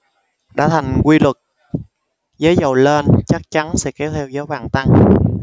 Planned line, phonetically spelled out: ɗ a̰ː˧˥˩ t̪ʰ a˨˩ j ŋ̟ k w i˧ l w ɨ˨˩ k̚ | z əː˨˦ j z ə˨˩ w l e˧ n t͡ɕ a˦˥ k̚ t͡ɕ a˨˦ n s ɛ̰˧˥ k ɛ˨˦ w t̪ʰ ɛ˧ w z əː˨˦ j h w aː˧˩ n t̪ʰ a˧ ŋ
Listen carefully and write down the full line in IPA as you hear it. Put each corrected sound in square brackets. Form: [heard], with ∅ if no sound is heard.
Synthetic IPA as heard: ɗ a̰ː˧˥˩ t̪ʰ a˨˩ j ŋ̟ k w i˧ l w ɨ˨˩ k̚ | z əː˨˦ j z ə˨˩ w l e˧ n t͡ɕ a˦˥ k̚ t͡ɕ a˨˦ n s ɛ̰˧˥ k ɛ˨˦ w t̪ʰ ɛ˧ w z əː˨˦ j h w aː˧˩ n [t̪] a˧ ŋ